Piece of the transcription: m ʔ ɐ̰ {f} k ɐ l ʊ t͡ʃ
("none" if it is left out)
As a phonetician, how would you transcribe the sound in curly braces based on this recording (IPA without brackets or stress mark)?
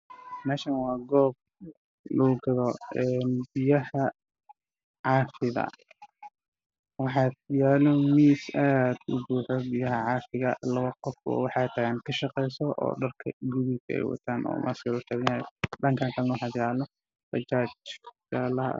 s